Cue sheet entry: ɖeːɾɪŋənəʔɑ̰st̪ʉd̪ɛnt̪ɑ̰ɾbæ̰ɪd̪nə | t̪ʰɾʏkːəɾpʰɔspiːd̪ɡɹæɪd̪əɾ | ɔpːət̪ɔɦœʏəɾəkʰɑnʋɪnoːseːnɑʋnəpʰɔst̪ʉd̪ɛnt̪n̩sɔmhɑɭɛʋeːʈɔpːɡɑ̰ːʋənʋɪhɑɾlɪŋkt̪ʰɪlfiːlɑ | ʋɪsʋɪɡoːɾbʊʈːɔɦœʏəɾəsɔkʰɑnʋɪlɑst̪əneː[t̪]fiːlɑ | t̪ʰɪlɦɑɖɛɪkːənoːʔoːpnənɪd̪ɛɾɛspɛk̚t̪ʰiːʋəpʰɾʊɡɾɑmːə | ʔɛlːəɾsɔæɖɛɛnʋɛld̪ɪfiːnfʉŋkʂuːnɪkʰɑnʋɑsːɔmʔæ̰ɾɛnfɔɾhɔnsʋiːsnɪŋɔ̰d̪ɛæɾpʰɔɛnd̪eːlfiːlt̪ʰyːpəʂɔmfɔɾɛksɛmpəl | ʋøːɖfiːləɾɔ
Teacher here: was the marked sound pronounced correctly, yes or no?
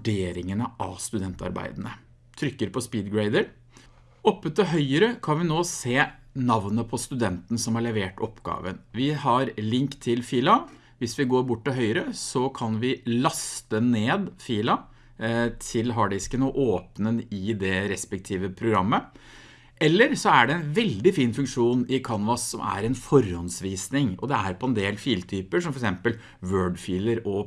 no